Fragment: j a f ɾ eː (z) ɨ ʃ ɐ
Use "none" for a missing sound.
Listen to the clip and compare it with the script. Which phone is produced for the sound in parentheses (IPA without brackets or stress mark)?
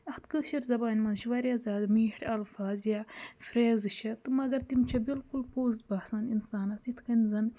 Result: z